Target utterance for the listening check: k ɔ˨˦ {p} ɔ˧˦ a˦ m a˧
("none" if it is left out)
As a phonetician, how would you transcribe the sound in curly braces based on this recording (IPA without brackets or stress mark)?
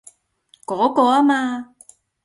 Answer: k